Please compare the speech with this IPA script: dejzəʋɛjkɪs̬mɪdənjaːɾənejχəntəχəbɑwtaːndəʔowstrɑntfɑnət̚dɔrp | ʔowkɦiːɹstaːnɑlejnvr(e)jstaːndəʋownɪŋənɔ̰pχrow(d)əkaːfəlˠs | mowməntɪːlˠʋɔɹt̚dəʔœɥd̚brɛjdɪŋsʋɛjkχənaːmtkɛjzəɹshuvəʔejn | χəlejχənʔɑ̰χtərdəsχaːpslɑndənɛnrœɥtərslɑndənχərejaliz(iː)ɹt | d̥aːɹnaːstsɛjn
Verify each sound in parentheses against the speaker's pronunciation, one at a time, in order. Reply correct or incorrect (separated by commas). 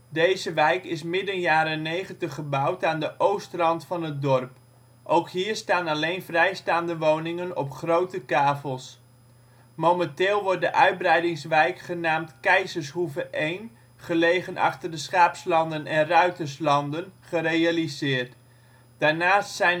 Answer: incorrect, incorrect, incorrect